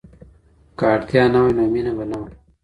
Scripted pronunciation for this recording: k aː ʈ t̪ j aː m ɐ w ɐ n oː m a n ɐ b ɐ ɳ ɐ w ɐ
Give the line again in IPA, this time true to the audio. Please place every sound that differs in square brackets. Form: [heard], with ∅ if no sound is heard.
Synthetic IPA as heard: k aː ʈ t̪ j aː [n] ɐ w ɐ n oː m [i] n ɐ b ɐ [n] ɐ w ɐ